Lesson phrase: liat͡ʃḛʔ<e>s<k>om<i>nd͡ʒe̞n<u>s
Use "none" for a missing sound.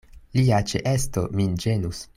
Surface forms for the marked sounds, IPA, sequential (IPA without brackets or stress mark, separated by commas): e, t, i, u